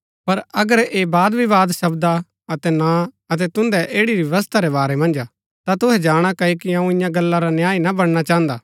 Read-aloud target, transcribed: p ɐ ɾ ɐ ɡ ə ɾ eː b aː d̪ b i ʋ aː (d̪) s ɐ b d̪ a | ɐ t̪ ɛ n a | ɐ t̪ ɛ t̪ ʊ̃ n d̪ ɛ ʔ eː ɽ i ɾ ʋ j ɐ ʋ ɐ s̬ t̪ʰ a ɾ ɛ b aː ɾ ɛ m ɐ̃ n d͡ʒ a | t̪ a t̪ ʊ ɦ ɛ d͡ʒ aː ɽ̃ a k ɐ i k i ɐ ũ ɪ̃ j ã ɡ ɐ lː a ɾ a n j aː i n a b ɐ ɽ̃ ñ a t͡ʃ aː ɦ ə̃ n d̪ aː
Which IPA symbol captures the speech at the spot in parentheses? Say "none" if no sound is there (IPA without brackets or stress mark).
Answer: d̪